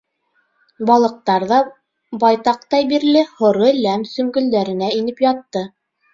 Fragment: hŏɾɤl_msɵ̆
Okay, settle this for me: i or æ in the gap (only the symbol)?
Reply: æ